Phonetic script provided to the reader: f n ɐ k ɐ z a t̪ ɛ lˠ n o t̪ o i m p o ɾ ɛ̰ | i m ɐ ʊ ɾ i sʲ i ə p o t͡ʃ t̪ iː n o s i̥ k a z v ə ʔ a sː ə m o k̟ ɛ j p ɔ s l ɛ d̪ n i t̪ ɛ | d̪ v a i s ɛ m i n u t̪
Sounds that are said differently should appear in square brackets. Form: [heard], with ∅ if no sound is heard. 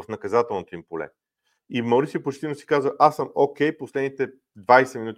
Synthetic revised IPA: f n ɐ k ɐ z a t̪ ɛ lˠ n o t̪ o i m p o [l] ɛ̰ | i m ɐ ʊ ɾ i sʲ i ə p o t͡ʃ t̪ [i] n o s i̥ k a z v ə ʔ a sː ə m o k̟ ɛ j p [o] s l ɛ d̪ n i t̪ ɛ | d̪ v a [j] s ɛ m i n u t̪